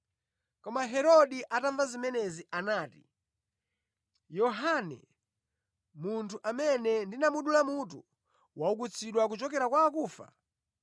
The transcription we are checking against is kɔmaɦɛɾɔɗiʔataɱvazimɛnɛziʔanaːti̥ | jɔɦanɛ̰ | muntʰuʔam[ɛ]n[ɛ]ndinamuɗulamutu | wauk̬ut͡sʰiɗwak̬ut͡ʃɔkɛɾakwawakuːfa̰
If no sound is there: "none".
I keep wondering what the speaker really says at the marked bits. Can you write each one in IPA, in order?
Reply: ɛ, ɛ

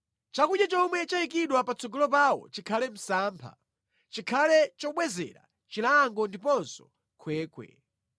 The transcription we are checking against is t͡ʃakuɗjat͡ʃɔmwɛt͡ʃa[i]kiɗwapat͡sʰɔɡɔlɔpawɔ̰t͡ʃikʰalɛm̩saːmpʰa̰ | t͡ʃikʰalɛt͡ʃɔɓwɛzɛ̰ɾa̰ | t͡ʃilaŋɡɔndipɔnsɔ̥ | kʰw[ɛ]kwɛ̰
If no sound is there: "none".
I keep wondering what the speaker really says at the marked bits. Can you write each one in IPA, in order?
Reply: i, ɛː

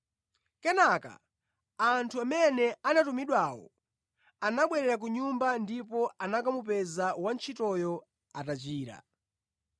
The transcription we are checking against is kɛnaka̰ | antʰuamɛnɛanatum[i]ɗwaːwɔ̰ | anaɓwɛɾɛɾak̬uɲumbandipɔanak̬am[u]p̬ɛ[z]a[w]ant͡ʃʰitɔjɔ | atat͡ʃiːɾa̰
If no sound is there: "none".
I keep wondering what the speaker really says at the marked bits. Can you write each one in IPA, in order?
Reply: i, u, z, w

